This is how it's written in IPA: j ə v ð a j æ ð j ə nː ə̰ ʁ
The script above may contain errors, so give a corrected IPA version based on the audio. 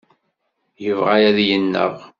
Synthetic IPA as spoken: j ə v ʁ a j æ ð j ə nː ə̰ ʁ